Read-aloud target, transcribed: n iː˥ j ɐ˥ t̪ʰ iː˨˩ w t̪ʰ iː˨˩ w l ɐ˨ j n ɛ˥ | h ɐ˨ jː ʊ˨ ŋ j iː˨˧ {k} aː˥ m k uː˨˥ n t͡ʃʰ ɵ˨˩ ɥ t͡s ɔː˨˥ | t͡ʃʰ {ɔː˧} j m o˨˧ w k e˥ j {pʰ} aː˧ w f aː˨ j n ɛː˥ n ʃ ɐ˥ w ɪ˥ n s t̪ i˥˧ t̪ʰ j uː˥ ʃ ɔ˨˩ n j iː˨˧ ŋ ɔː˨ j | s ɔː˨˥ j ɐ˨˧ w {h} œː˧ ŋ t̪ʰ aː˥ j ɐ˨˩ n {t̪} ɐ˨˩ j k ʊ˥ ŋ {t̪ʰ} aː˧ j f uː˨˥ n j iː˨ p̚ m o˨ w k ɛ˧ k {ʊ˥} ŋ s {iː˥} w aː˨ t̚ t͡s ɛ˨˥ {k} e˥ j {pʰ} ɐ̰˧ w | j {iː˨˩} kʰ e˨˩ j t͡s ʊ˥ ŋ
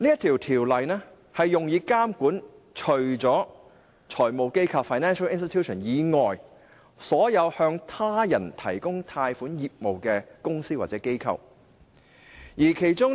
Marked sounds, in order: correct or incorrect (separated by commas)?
correct, incorrect, incorrect, correct, incorrect, correct, correct, correct, correct, incorrect, correct